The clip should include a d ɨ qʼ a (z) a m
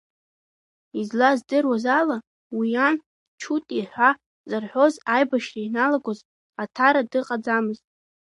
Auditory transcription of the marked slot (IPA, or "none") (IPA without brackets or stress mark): d͡z